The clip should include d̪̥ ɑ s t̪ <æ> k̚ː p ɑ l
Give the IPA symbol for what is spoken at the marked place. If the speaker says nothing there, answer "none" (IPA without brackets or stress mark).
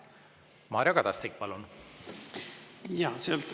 i